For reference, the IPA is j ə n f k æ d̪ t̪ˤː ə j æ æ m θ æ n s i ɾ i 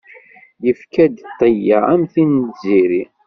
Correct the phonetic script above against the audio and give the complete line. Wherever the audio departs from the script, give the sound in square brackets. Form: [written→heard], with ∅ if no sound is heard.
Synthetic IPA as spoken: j ə [n→∅] f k æ d̪ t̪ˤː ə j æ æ m θ [æ→i] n [s→z] i ɾ i